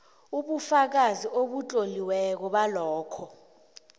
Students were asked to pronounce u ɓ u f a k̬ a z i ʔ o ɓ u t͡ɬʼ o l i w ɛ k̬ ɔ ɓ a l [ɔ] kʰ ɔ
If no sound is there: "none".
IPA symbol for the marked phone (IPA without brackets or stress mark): ɔː